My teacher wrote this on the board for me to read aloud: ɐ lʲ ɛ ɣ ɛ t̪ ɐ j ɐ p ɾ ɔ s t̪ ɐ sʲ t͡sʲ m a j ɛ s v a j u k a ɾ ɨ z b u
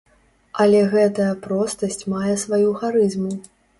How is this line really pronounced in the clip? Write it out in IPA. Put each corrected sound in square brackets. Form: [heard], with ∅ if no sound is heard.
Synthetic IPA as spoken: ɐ lʲ ɛ ɣ ɛ t̪ ɐ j ɐ p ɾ ɔ s t̪ ɐ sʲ t͡sʲ m a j ɛ s v a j u [x] a ɾ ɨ z [m] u